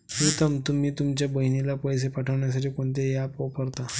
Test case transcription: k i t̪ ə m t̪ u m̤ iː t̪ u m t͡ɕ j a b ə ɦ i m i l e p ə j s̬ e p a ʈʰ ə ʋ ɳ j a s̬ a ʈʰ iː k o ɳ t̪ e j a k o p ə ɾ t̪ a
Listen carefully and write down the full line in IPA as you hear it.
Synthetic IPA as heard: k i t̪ ə m t̪ u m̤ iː t̪ u m t͡ɕ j a b ə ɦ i n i l a p ə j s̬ e p a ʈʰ ə ʋ ɳ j a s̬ a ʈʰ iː k o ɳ t̪ e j a p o p ə ɾ t̪ a